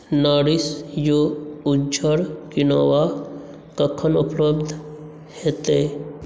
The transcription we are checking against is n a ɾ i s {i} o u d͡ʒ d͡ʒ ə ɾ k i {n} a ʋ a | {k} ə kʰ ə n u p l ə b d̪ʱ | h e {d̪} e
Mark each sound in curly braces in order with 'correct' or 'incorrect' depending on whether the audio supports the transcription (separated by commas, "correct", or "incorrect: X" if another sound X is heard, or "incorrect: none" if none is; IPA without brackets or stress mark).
incorrect: j, correct, correct, incorrect: t̪